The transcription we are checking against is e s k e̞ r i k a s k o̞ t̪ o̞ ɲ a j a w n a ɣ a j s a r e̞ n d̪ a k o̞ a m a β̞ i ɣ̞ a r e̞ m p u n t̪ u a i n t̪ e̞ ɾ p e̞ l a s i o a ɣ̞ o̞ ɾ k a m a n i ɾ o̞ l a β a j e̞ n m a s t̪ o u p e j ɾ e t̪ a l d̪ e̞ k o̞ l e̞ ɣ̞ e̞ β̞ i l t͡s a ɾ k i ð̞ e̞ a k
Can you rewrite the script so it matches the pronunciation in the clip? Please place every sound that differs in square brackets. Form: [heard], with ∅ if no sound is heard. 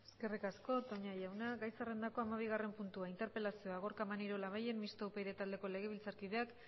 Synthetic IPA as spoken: e s k e̞ r i k a s k o̞ t̪ o̞ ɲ a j a w n a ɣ a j s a r e̞ n d̪ a k o̞ a m a β̞ i ɣ̞ a r e̞ m p u n t̪ u a i n t̪ e̞ ɾ p e̞ l a s i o a ɣ̞ o̞ ɾ k a m a n i ɾ o̞ l a β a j e̞ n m [i] s t̪ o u p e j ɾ e t̪ a l d̪ e̞ k o̞ l e̞ ɣ̞ e̞ β̞ i l t͡s a ɾ k i ð̞ e̞ a k